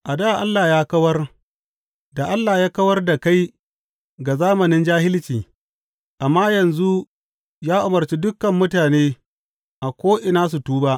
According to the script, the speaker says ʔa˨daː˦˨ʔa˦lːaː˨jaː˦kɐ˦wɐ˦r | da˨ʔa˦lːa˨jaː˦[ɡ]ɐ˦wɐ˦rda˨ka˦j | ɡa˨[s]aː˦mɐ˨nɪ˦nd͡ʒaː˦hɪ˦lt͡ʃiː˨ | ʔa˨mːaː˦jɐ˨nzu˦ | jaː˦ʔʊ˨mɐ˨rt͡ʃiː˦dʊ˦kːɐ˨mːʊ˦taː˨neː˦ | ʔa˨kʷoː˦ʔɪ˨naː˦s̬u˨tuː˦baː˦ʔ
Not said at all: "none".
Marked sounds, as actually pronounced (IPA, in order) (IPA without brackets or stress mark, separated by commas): k, z